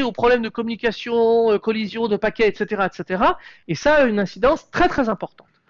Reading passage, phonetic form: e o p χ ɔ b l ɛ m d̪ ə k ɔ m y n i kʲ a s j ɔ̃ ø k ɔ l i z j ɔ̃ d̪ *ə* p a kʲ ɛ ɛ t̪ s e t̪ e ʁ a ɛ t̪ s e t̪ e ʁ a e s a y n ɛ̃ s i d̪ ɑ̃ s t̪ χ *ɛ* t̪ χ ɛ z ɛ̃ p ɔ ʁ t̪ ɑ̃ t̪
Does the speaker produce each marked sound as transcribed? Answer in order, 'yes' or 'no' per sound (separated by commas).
yes, yes